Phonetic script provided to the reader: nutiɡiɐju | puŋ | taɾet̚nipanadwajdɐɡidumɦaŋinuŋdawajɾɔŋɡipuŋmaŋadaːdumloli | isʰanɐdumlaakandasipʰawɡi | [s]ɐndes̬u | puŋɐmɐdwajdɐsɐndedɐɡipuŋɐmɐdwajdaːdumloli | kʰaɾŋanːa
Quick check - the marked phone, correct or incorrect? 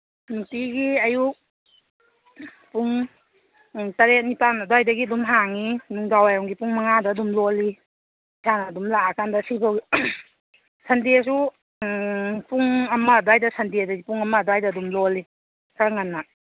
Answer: correct